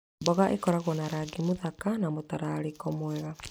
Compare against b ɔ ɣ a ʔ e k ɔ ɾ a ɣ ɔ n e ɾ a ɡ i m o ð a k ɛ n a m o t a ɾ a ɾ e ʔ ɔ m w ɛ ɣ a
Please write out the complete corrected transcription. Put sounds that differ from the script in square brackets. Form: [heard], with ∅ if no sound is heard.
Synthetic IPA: b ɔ ɣ a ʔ e k ɔ ɾ a ɣ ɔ n [a] ɾ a ɡ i m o ð a k [a] n a m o t a ɾ a ɾ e [k] ɔ m w ɛ ɣ a